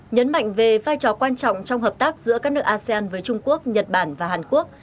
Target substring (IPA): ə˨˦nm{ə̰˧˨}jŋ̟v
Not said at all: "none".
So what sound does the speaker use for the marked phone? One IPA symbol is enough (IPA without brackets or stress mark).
a̰˧˨